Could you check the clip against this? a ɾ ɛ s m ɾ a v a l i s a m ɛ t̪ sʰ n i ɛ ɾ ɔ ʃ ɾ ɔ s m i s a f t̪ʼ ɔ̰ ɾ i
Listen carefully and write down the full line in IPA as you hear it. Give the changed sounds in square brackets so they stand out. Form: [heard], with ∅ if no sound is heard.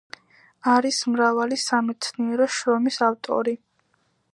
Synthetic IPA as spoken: a ɾ [i] s m ɾ a v a l i s a m ɛ t̪ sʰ n i ɛ ɾ ɔ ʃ ɾ ɔ [∅] m i s a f t̪ʼ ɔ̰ ɾ i